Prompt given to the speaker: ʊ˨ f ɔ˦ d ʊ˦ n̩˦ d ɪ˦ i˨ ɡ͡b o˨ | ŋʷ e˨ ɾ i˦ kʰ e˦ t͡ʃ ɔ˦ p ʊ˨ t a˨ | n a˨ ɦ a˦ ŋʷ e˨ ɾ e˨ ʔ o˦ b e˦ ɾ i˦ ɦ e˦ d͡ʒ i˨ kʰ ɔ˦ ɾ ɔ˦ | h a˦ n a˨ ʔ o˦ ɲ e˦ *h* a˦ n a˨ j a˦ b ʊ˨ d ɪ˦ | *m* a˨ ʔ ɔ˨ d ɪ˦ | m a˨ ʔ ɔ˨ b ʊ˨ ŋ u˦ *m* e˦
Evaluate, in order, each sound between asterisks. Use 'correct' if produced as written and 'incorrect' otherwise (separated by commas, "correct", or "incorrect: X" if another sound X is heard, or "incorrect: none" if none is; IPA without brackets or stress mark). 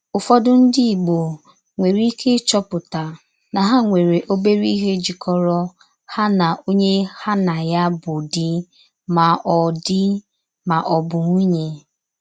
correct, correct, incorrect: ɲ